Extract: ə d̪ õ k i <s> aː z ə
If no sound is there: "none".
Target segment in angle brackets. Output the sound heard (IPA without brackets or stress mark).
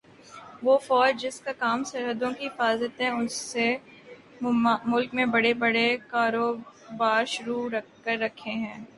f